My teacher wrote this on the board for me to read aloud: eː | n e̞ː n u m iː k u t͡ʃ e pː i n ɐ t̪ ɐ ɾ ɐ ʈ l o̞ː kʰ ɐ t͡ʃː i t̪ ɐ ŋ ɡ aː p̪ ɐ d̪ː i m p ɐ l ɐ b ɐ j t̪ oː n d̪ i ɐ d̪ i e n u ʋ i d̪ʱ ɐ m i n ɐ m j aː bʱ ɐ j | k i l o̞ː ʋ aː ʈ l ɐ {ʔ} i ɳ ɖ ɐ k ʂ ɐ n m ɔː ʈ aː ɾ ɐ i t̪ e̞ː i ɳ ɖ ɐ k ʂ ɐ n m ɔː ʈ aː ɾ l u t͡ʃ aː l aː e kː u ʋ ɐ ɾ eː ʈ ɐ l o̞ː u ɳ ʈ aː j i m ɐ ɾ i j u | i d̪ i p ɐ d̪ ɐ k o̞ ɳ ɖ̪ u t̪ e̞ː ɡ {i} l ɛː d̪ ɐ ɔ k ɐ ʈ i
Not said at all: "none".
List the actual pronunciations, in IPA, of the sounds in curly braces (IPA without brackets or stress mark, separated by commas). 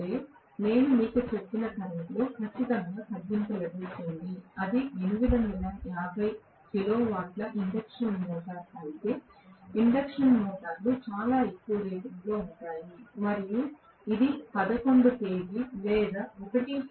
ʔ, i